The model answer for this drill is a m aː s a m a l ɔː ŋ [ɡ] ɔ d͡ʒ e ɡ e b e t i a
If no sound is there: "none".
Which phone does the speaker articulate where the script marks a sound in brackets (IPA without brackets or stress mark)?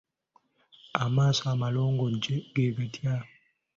ɡ